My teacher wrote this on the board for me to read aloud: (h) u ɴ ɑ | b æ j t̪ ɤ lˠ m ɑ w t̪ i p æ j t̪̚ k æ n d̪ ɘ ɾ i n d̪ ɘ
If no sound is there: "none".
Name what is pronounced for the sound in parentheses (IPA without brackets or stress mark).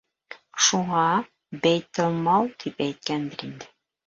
ʃ